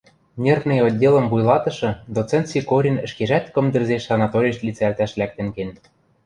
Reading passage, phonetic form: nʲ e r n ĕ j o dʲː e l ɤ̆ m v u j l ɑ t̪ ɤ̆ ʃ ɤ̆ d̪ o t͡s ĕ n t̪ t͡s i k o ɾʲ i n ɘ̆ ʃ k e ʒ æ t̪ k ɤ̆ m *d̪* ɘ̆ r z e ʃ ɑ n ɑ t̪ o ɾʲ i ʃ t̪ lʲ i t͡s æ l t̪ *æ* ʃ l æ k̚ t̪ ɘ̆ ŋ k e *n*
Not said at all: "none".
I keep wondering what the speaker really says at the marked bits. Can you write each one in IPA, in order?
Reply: d̪, æ, n

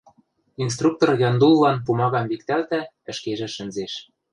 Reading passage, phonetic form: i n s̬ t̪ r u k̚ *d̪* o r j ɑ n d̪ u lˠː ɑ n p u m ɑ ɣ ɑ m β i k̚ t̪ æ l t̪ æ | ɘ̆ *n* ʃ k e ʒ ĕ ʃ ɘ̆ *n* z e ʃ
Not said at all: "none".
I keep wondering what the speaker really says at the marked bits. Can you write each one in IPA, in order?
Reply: t̪, none, n

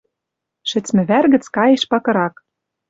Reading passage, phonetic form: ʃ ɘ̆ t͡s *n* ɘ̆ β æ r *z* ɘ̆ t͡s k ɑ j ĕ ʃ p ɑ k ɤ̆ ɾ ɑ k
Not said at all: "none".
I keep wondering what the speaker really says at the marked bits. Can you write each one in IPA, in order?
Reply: m, ɣ

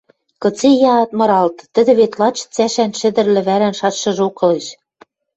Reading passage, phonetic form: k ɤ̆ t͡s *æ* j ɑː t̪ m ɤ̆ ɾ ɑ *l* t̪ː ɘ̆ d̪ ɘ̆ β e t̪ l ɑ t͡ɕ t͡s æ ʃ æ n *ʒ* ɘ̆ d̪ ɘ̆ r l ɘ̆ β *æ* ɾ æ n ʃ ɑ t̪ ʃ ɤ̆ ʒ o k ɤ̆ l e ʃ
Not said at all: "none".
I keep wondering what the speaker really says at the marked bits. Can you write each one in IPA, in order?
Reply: e, l, ʃ, æ

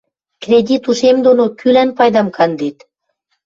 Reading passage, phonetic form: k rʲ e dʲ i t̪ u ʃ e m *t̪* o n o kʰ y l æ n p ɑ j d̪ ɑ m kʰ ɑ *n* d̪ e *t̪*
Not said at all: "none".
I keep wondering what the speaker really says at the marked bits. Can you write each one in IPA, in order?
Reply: d̪, n, t̪

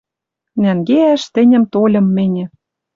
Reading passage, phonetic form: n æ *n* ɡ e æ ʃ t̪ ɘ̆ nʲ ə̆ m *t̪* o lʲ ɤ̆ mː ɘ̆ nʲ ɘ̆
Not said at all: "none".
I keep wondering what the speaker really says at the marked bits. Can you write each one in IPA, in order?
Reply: ŋ, t̪

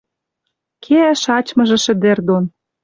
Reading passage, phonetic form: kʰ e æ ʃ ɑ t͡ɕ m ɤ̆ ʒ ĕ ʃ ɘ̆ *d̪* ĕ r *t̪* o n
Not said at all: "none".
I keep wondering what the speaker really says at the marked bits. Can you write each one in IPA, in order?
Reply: d̪, d̪

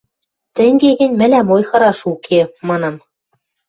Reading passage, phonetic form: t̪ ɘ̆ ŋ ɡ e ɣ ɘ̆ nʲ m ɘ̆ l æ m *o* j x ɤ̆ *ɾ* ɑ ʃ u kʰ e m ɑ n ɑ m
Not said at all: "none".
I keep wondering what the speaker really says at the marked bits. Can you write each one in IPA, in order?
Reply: o, ɾ

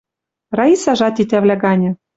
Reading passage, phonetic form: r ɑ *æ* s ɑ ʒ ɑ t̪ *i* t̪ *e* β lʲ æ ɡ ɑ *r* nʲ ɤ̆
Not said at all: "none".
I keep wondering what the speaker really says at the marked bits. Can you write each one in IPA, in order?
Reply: i, i, æ, none

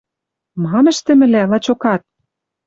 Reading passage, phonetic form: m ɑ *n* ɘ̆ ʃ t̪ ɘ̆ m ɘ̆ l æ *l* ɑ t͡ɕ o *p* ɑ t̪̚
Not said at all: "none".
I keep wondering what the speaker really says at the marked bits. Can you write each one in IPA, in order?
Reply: m, l, k

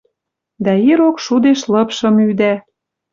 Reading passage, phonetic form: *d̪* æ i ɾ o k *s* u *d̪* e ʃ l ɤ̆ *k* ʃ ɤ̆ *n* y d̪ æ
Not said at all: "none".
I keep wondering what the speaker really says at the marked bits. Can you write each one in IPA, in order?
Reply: d̪, ʃ, d̪, p, m

